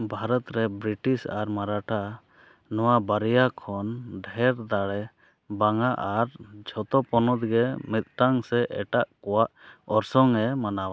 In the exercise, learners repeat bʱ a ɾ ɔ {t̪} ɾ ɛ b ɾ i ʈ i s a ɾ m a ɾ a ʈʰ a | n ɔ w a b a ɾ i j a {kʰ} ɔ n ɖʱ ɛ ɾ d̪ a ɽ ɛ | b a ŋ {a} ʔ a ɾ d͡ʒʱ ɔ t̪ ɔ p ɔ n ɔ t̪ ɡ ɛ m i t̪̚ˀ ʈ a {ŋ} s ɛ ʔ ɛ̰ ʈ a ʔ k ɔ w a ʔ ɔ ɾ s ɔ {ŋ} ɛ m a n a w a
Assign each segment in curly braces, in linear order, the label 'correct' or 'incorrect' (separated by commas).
correct, correct, correct, correct, correct